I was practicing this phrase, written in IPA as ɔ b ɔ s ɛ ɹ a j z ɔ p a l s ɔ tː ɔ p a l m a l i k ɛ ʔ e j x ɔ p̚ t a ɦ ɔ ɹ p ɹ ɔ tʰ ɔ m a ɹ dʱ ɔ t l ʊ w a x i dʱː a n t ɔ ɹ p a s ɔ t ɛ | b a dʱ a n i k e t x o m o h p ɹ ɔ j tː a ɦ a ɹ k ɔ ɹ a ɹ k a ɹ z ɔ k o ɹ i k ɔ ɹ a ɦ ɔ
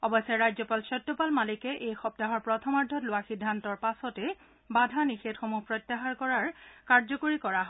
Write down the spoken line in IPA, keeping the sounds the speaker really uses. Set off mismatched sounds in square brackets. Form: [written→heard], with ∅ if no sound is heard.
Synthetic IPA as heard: ɔ b ɔ s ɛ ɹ a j z ɔ p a l s ɔ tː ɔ p a l m a l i k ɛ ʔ e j x ɔ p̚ t a ɦ ɔ ɹ p ɹ ɔ tʰ ɔ m a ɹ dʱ ɔ t l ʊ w a x i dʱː a n t ɔ ɹ p a s ɔ t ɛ | b a dʱ a n i [k→x] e t x o m [o→u] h p ɹ ɔ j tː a ɦ a ɹ k ɔ ɹ a ɹ k a ɹ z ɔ k o ɹ i k ɔ ɹ a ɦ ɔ